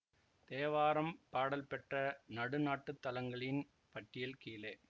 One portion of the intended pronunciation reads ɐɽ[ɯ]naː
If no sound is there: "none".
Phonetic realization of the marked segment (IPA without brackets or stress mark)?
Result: ɯ